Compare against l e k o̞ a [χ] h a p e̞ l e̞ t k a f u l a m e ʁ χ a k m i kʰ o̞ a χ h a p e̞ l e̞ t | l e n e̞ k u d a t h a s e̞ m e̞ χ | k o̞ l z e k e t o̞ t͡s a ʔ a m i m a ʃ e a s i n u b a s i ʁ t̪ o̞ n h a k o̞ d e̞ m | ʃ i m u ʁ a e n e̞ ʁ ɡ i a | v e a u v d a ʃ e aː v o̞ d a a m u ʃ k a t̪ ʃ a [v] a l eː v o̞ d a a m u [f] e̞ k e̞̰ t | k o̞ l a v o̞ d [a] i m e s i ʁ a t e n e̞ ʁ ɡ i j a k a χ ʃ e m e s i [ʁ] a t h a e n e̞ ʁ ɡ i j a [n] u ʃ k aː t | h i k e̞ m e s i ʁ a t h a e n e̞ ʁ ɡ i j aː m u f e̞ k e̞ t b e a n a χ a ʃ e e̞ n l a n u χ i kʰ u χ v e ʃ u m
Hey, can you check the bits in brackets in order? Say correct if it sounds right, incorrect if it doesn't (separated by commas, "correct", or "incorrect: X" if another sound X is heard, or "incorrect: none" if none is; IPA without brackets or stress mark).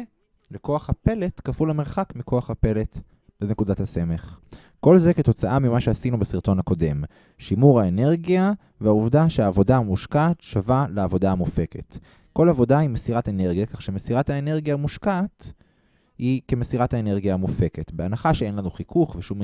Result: correct, correct, correct, correct, correct, incorrect: m